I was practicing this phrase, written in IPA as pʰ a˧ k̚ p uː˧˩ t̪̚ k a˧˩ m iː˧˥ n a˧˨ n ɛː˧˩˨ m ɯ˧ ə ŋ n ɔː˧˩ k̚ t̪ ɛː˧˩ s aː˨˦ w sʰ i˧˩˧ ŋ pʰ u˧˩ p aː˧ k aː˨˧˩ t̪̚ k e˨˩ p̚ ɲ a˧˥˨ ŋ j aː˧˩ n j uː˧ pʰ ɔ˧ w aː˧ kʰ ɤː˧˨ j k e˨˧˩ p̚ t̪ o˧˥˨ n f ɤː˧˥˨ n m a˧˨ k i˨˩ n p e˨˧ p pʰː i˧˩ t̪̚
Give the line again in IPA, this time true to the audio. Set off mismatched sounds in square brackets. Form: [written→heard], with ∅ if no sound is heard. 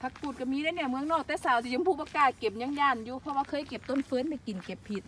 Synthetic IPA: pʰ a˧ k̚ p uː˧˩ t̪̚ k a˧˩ m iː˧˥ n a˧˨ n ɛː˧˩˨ m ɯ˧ ə ŋ n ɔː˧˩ k̚ t̪ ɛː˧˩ s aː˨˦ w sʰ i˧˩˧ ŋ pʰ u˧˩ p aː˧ k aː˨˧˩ t̪̚ k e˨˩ p̚ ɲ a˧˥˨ ŋ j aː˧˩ n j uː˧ pʰ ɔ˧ w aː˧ kʰ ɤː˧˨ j k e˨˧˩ p̚ t̪ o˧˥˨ n f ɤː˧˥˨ n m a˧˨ k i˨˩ n [p→k] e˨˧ p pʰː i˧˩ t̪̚